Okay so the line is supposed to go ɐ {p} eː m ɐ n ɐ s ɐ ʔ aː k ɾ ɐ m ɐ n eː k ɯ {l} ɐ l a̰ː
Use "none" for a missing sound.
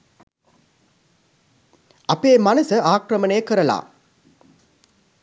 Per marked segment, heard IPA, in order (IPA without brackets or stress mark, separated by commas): p, ɾ